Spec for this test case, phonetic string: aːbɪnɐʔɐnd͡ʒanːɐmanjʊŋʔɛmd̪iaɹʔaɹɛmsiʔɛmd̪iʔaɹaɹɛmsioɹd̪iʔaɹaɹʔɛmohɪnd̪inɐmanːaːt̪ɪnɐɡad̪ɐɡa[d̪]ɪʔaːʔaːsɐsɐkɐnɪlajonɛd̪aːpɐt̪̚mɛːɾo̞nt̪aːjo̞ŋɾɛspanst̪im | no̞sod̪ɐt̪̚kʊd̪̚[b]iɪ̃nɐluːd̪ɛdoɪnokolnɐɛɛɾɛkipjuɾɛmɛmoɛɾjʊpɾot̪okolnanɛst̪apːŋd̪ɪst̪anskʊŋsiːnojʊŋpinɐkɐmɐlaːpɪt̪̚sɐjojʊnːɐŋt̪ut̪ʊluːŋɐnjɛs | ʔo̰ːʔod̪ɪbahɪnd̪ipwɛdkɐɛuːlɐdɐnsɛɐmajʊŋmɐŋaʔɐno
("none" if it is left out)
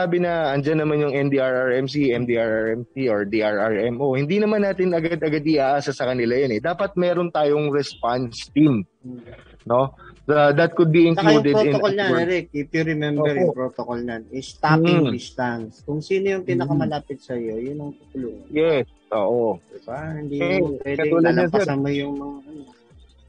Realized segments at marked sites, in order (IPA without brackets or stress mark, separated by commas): d̪, b